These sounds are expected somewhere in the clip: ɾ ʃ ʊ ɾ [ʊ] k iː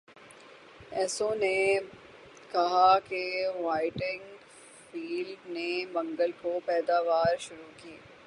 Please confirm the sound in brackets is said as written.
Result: no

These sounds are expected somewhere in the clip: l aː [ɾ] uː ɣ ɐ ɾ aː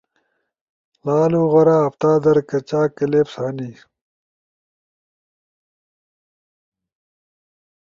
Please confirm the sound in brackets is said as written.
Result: no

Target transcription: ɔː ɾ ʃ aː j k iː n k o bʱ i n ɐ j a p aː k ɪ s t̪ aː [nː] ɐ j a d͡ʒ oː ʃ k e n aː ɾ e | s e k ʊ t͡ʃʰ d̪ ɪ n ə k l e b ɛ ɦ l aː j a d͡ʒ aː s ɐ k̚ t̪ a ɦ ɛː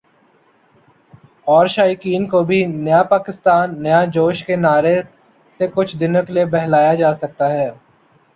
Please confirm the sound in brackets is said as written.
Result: yes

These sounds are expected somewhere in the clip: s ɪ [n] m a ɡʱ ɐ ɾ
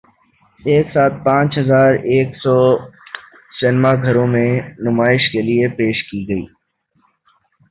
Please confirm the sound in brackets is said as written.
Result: yes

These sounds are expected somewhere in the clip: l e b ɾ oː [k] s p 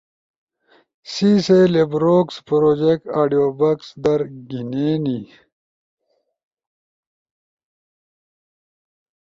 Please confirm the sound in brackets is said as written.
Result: yes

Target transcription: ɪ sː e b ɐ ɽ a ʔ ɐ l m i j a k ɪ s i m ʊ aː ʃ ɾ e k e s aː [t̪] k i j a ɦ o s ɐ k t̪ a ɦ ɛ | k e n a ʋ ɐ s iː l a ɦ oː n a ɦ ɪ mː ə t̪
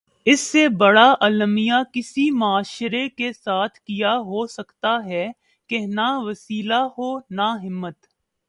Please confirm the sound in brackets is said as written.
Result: no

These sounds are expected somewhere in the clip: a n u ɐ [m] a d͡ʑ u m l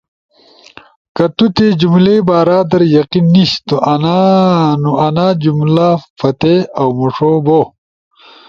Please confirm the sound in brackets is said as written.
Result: no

